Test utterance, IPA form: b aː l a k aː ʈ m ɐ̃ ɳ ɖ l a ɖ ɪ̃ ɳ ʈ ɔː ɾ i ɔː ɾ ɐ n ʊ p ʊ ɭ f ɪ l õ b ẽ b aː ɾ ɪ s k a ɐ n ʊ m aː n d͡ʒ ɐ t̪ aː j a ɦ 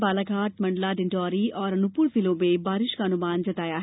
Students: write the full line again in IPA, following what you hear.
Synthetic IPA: b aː l a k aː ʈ m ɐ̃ ɳ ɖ l a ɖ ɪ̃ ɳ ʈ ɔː ɾ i ɔː ɾ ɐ n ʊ p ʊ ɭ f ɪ l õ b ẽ b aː ɾ ɪ ʃ k a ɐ n ʊ m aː n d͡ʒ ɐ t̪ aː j a ɦ

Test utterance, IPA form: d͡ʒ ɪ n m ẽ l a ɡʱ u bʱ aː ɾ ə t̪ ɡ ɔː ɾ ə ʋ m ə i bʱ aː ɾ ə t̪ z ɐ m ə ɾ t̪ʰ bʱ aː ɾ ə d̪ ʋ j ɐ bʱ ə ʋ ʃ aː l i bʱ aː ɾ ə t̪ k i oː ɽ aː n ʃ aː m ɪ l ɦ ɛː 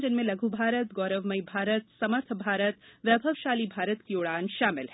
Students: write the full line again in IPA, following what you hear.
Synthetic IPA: d͡ʒ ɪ n m ẽ l ɐ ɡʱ u bʱ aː ɾ ə t̪ ɡ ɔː ɾ ə ʋ m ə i bʱ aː ɾ ə t̪ s ɐ m ə ɾ t̪ʰ bʱ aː ɾ ə t̪ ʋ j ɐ bʱ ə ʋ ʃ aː l i bʱ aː ɾ ə t̪ k i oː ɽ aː n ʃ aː m ɪ l ɦ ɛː

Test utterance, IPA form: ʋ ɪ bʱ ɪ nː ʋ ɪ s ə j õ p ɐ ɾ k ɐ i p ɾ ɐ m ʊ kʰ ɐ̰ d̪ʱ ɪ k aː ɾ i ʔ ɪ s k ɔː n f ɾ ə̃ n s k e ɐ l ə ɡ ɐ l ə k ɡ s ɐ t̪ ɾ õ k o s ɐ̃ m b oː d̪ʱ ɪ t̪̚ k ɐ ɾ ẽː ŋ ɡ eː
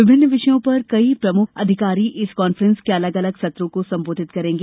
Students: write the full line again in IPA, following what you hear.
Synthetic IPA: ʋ ɪ bʱ ɪ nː ʋ ɪ ʃ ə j õ p ɐ ɾ k ɐ i p ɾ ɐ m ʊ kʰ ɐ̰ d̪ʱ ɪ k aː ɾ i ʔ ɪ s k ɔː n f ɾ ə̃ n s k e ɐ l ə ɡ ɐ l ə ɡ s ɐ t̪ ɾ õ k o s ɐ̃ m b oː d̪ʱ ɪ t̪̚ k ɐ ɾ ẽː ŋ ɡ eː

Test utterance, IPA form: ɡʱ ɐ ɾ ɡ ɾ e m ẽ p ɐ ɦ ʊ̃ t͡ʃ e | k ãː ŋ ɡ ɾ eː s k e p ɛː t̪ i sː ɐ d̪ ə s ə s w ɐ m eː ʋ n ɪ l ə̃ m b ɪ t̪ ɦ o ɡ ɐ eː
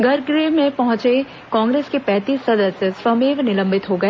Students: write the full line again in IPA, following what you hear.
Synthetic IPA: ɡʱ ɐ ɾ ɡ ɾ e m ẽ p ɐ ɦ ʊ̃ t͡ʃ e | k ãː ŋ ɡ ɾ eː s k e p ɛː t̪ iː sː ɐ d̪ ə s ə s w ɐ m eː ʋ n ɪ l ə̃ m b ɪ t̪ ɦ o ɡ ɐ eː

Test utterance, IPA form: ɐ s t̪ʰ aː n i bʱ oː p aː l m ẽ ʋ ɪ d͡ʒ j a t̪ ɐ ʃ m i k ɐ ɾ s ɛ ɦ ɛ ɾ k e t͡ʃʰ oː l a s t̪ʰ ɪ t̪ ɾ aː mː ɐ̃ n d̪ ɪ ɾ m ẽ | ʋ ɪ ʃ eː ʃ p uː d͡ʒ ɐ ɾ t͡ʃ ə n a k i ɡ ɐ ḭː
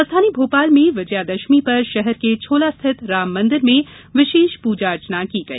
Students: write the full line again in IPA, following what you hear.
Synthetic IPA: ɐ s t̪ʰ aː n i bʱ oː p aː l m ẽ ʋ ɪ d͡ʒ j a d̪ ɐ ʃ m i p ɐ ɾ ʃ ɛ ɦ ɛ ɾ k e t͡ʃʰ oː l a s t̪ʰ ɪ t̪ ɾ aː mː ɐ̃ n d̪ ɪ ɾ m ẽ | ʋ ɪ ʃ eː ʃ p uː d͡ʒ a ɾ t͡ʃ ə n a k i ɡ ɐ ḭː

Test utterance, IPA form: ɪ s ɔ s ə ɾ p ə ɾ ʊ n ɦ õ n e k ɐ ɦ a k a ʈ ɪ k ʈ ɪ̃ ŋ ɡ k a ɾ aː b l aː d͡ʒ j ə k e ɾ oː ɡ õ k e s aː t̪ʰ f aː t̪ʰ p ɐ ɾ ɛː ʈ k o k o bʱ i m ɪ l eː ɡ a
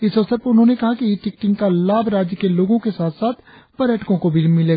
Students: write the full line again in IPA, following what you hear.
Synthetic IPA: ɪ s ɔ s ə ɾ p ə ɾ ʊ n ɦ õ n e k ɐ ɦ a k i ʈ ɪ k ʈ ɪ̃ ŋ ɡ k a l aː b ɾ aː d͡ʒ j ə k e l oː ɡ õ k e s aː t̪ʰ s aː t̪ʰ p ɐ ɾ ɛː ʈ k õ k o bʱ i m ɪ l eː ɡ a

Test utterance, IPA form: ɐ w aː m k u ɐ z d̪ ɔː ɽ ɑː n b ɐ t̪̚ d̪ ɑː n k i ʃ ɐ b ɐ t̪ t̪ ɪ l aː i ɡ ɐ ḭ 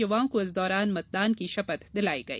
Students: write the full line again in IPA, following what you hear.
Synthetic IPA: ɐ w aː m k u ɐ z d̪ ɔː ɾ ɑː n m ɐ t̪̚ d̪ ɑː n k i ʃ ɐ p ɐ t̪ d̪ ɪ l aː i ɡ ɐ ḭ

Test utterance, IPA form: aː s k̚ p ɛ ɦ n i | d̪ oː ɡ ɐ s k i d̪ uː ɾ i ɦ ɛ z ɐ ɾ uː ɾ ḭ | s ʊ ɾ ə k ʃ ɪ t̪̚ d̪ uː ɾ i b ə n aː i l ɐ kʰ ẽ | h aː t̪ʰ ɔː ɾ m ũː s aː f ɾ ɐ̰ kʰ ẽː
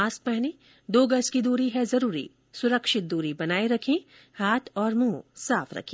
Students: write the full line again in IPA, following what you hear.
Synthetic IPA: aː s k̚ p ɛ ɦ n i | d̪ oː ɡ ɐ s k i d̪ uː ɾ i ɦ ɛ z ɐ ɾ uː ɾ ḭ | s ʊ ɾ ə k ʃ ɪ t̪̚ d̪ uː ɾ i b ɐ n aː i ɾ ɐ kʰ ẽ | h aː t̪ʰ ɔː ɾ m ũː s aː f ɾ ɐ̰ kʰ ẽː

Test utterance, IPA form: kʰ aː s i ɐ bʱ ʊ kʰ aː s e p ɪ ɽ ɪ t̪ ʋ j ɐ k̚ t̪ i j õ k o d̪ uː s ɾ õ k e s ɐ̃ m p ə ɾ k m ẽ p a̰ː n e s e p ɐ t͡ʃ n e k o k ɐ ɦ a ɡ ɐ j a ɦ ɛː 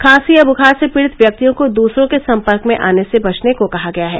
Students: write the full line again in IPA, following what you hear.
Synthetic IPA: kʰ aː s i ɐ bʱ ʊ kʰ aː s e p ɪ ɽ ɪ t̪ ʋ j ɐ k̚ t̪ i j õ k o d̪ uː s ɾ õ k e s ɐ̃ m p ə ɾ k m ẽ ʔ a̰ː n e s e b ɐ t͡ʃ n e k o k ɐ ɦ a ɡ ɐ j a ɦ ɛː

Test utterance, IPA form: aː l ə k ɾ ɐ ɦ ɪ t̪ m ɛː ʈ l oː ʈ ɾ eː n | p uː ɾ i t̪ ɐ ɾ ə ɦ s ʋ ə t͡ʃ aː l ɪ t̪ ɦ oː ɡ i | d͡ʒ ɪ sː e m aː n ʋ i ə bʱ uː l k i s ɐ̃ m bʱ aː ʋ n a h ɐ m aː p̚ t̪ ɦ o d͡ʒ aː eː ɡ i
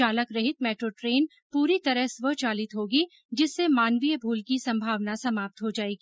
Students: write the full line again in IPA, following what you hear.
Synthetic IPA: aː l ə k ɾ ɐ ɦ ɪ t̪ m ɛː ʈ ɾ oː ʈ ɾ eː n | p uː ɾ i t̪ ɐ ɾ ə ɦ s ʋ ə t͡ʃ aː l ɪ t̪ ɦ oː ɡ i | d͡ʒ ɪ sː e m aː n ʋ i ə bʱ uː l k i s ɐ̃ m bʱ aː ʋ n a s ɐ m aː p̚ t̪ ɦ o d͡ʒ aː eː ɡ i

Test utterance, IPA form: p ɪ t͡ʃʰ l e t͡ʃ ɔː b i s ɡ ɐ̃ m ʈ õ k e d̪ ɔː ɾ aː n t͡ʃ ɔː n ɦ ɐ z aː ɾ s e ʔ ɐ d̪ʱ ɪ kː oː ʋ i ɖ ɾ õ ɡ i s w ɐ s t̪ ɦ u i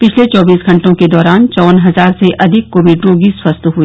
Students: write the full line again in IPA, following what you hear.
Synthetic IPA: p ɪ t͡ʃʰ l e t͡ʃ ɔː b iː s ɡ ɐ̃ ɳ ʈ õ k e d̪ ɔː ɾ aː n t͡ʃ ɔː n ɦ ɐ z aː ɾ s e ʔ ɐ d̪ʱ ɪ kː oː ʋ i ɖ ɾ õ ɡ i s w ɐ s t̪ ɦ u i

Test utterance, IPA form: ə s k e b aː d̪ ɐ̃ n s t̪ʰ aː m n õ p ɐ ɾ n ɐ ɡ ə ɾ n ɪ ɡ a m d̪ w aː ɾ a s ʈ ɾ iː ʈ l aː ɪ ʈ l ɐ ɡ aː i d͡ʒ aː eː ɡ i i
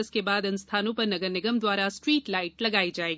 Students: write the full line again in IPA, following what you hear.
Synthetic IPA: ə s k e b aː d̪ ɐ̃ n s t̪ʰ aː n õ p ɐ ɾ n ɐ ɡ ə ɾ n ɪ ɡ ə m d̪ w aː ɾ a s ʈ ɾ iː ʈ l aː ɪ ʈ l ɐ ɡ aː i d͡ʒ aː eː ɡ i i

